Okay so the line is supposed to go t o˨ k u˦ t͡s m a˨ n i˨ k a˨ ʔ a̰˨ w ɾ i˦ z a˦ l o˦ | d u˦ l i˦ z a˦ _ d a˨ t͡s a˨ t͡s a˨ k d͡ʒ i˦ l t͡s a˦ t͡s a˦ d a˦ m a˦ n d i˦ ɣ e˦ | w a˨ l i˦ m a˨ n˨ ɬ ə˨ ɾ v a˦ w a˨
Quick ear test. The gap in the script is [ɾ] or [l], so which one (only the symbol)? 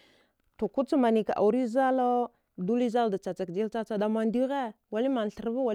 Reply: l